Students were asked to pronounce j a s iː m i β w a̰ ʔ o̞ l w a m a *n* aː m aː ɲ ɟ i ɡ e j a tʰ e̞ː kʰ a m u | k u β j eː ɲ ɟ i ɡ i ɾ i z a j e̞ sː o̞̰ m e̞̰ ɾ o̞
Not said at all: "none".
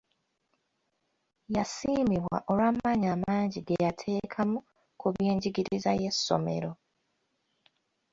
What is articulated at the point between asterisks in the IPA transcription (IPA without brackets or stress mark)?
ɲ